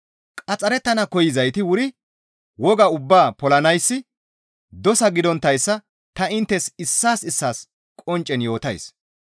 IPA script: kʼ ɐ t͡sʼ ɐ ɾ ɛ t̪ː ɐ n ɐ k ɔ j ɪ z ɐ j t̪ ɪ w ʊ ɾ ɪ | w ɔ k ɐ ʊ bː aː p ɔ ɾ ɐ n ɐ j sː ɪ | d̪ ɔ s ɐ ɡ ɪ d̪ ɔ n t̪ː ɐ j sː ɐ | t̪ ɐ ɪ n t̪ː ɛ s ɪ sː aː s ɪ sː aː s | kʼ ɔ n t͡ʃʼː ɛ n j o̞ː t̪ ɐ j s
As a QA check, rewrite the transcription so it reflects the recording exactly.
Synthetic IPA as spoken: kʼ ɐ t͡sʼ ɐ ɾ ɛ t̪ː ɐ n ɐ k ɔ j ɪ z ɐ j t̪ ɪ w ʊ ɾ ɪ | w ɔ ɡ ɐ ʊ bː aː p ɔ l ɐ n ɐ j sː ɪ | d̪ ɔ s ɐ ɡ ɪ d̪ ɔ n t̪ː ɐ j sː ɐ | t̪ ɐ ɪ n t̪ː ɛ s ɪ sː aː s ɪ sː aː s | kʼ ɔ n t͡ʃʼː ɛ n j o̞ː t̪ ɐ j s

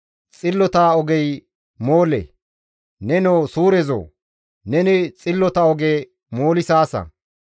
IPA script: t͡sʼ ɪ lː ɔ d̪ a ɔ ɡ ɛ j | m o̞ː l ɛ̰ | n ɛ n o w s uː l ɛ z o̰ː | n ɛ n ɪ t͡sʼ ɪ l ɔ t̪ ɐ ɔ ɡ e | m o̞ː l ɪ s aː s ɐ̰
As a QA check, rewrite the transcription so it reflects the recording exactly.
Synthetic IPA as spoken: t͡sʼ ɪ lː ɔ t̪ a ɔ ɡ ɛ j | m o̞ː l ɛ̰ | n ɛ n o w s uː ɾ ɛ z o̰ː | n ɛ n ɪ t͡sʼ ɪ lː ɔ t̪ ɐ ɔ ɡ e | m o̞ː l ɪ s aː s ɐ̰

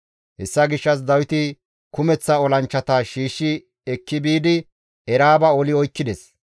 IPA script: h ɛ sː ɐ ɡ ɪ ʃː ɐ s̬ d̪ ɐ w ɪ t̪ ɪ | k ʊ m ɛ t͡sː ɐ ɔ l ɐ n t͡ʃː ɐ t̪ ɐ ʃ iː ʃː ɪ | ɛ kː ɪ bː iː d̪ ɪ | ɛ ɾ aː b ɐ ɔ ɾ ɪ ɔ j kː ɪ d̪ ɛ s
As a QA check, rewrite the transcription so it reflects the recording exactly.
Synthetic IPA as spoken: h ɛ sː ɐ ɡ ɪ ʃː ɐ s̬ d̪ ɐ w ɪ t̪ ɪ | k ʊ m ɛ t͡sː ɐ ɔ l ɐ n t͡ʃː ɐ t̪ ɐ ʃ iː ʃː ɪ | ɛ kː ɪ b iː d̪ ɪ | ɛ ɾ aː b ɐ ɔ l ɪ ɔ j kː ɪ d̪ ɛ s

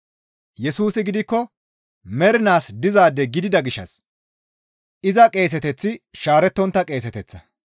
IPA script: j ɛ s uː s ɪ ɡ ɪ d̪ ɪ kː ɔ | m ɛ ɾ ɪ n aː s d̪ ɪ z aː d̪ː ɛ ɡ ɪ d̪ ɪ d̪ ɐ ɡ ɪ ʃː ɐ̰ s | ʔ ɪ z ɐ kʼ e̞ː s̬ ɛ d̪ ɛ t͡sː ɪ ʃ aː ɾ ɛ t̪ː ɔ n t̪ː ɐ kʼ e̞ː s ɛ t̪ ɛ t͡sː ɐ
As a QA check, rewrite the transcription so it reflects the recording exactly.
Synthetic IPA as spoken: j ɛ s uː s ɪ ɡ ɪ d̪ ɪ kː ɔ | m ɛ ɾ ɪ n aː s d̪ ɪ z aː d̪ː ɛ ɡ ɪ d̪ ɪ d̪ ɐ ɡ ɪ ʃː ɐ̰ s | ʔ ɪ z ɐ kʼ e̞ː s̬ ɛ t̪ ɛ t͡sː ɪ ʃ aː ɾ ɛ t̪ː ɔ n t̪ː ɐ kʼ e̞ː s ɛ t̪ ɛ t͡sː ɐ

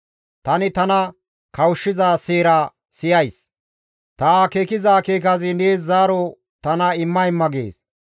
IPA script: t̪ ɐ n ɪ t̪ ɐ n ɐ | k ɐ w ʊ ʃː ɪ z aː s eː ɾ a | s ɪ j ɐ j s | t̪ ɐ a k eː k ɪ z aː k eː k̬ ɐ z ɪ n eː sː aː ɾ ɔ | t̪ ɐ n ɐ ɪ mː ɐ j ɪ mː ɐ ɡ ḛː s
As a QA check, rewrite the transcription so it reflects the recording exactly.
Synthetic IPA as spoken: t̪ ɐ n ɪ t̪ ɐ n ɐ | k ɐ w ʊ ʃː ɪ z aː s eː ɾ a | s ɪ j ɐ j s | t̪ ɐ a k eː k ɪ z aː k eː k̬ ɐ z ɪ n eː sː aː ɾ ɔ | t̪ ɐ n ɐ ɪ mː ɐ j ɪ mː ɐ ɡ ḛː s

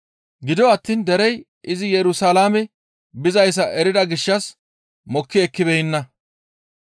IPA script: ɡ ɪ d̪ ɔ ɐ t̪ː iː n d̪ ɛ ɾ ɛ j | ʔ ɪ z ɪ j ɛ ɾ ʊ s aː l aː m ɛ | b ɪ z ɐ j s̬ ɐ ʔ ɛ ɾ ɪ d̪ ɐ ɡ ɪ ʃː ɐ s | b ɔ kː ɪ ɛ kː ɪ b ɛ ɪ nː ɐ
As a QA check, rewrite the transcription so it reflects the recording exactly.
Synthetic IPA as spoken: ɡ ɪ d̪ ɔ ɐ t̪ː iː n d̪ ɛ ɾ ɛ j | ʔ ɪ z ɪ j ɛ ɾ ʊ s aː l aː m ɛ | b ɪ z ɐ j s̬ ɐ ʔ ɛ ɾ ɪ d̪ ɐ ɡ ɪ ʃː ɐ s | m ɔ kː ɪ ɛ kː ɪ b ɛ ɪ nː ɐ

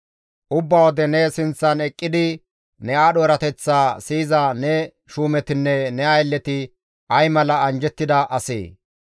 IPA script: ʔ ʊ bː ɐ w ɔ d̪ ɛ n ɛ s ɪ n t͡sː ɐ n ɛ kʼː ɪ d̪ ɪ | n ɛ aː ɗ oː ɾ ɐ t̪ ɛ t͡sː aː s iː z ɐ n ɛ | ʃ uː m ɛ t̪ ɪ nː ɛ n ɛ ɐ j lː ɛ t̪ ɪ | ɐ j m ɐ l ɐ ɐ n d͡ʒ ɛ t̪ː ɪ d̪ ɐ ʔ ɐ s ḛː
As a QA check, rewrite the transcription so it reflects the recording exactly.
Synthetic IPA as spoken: ʔ ʊ bː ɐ w ɔ d̪ ɛ n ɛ s ɪ n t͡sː ɐ n ɛ kʼː ɪ d̪ ɪ | n ɛ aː ɗ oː ɾ ɐ t̪ ɛ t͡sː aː s iː z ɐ n ɛ | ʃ uː m ɛ t̪ ɪ nː ɛ n ɛ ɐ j lː ɛ t̪ ɪ | ɐ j m ɐ l ɐ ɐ n d͡ʒ ɛ t̪ː ɪ d̪ ɐ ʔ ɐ s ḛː

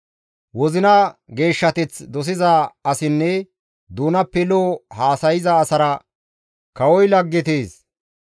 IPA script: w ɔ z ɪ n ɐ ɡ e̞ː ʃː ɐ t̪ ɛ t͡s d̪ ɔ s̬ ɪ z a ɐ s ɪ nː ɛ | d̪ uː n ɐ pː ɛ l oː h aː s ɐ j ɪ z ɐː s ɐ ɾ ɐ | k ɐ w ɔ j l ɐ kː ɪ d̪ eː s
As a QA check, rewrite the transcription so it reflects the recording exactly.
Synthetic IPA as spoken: w ɔ z ɪ n ɐ ɡ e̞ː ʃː ɐ t̪ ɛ t͡s d̪ ɔ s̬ ɪ z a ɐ s ɪ nː ɛ | d̪ uː n ɐ pː ɛ l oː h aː s ɐ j ɪ z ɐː s ɐ ɾ ɐ | k ɐ w ɔ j l ɐ ɡː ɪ t̪ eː s

